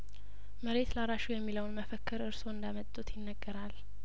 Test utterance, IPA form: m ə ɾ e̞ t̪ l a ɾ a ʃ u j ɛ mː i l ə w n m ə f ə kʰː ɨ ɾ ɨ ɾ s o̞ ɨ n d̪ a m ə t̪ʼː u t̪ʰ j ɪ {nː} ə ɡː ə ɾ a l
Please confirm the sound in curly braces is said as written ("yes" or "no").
yes